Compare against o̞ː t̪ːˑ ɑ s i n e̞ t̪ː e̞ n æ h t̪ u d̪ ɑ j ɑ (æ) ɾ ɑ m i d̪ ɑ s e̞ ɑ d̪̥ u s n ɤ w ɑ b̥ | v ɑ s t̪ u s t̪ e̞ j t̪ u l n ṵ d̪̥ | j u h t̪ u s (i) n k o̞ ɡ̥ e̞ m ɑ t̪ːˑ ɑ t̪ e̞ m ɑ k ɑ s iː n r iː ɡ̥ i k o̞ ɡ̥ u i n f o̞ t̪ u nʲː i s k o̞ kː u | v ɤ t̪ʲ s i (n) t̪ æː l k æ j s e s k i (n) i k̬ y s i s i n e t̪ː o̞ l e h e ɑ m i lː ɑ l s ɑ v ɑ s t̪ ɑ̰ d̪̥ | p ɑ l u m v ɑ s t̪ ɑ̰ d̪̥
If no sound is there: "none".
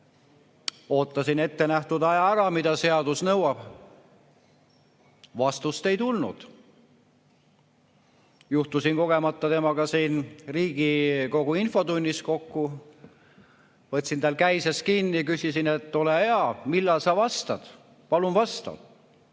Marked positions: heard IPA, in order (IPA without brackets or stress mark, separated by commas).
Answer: æ, i, n, nː